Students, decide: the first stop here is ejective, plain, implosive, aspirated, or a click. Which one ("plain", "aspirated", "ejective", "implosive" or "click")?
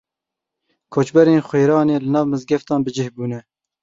aspirated